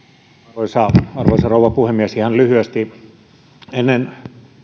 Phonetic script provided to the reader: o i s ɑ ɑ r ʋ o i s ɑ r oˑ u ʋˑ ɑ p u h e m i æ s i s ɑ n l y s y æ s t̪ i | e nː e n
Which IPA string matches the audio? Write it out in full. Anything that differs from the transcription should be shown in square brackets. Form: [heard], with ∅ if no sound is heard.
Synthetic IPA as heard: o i s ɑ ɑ r ʋ o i s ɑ r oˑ u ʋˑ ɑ p u h e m i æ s i [h] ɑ n l y [h] y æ s t̪ i | e nː e n